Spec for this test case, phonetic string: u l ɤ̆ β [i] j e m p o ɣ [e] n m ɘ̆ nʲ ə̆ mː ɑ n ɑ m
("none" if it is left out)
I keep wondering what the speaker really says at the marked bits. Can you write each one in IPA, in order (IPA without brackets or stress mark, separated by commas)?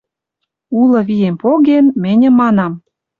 i, e